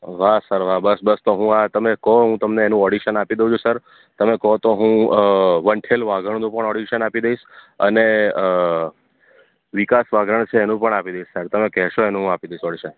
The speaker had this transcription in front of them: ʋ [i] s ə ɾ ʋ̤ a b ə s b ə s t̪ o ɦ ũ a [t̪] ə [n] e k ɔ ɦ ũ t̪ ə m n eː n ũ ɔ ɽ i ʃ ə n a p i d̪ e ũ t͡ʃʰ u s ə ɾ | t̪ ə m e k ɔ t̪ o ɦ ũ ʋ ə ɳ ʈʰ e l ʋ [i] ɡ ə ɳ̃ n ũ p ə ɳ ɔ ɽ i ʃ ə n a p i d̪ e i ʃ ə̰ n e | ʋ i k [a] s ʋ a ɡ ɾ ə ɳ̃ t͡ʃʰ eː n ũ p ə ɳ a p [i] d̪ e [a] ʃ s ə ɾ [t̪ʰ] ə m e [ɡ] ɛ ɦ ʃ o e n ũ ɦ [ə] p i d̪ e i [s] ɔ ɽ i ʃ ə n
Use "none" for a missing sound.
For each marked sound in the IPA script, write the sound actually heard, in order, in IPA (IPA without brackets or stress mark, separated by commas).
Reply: a, t̪, m, a, a, i, i, t̪, k, a, ʃ